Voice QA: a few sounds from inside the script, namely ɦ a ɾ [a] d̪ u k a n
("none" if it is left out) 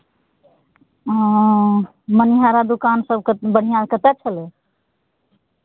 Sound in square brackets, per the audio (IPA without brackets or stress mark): a